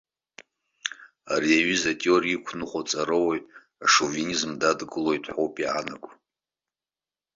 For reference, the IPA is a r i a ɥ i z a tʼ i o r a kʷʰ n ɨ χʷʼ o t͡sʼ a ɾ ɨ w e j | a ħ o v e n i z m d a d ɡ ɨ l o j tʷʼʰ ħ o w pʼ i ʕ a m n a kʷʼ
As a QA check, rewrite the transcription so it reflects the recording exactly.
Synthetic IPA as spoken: a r i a ɥ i z a tʼ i o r i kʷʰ n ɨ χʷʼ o t͡sʼ a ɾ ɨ w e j | a ʂ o v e n i z m d a d ɡ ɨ l o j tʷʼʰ ħ o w pʼ i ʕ a n a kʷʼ